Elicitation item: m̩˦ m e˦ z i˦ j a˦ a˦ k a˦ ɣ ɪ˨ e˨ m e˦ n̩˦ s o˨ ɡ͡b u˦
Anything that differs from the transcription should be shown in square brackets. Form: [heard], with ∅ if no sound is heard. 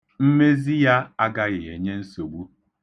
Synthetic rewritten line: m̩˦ m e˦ z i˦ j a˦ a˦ [ɡ] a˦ ɣ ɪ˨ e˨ [ɲ] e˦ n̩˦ s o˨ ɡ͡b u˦